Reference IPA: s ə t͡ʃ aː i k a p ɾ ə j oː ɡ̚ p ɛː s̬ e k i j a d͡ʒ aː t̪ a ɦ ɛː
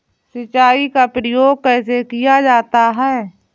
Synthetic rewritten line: s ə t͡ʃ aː i k a p ɾ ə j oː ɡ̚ k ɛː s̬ e k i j a d͡ʒ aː t̪ a ɦ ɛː